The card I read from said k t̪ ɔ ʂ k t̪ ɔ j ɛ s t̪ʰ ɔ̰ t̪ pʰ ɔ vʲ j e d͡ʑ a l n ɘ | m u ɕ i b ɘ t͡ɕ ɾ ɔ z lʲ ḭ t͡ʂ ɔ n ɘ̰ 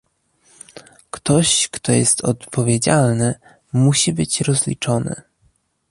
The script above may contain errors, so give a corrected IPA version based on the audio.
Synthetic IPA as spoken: k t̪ ɔ ɕ k t̪ ɔ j ɛ s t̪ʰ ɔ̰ t̪ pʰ ɔ vʲ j e d͡ʑ a l n ɘ | m u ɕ i b ɘ t͡ɕ ɾ ɔ z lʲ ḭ t͡ʂ ɔ n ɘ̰